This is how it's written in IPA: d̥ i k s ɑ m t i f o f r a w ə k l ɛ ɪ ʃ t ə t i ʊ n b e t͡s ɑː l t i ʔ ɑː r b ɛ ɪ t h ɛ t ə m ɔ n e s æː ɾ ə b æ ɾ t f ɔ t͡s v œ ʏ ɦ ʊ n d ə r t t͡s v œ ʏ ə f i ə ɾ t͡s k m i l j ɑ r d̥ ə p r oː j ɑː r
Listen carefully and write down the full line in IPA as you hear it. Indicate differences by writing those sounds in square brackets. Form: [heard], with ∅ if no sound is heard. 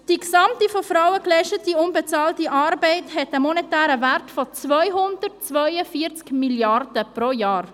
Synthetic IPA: d̥ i k s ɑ m t i f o f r a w ə k l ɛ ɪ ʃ t ə t i ʊ n b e t͡s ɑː l t i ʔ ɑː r b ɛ ɪ t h ɛ t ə m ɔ n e [t] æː ɾ ə [v] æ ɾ t f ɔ t͡s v œ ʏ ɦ ʊ n d ə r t t͡s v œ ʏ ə f i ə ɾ t͡s k m i l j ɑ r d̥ ə p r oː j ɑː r

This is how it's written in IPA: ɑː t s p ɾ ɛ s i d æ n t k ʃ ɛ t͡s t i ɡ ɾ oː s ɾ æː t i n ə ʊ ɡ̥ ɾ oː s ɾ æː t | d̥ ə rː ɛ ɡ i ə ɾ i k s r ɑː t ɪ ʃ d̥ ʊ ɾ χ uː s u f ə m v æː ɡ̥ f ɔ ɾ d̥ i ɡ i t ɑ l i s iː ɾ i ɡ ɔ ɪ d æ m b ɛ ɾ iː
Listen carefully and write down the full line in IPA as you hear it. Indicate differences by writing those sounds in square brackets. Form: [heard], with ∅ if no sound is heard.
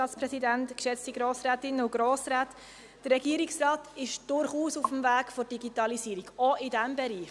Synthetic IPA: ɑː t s p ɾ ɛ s i d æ n t k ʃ ɛ t͡s t i ɡ ɾ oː s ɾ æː t [ɪ] n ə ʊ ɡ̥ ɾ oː s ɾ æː t | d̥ ə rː ɛ ɡ i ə ɾ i k s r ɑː t ɪ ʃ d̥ ʊ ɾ χ uː s u f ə m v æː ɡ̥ f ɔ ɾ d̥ i ɡ i t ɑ l i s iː ɾ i ɡ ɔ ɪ d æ m b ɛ ɾ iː

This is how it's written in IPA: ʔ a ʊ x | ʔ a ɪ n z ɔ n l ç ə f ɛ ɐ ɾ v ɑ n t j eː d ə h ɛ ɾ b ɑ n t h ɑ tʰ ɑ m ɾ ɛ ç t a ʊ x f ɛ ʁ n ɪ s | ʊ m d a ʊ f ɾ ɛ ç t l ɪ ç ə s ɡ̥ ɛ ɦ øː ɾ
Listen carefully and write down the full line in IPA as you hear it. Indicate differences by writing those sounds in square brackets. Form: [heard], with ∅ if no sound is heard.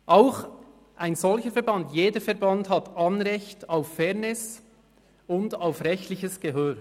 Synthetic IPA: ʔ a ʊ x | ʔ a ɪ n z ɔ [∅] l ç ə f ɛ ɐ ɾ [b] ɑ n t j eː d ə [f] ɛ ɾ b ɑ n t h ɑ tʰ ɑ [n] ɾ ɛ ç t a ʊ [f] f ɛ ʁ n ɪ s | ʊ [n] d a ʊ f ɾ ɛ ç t l ɪ ç ə s ɡ̥ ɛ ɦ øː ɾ

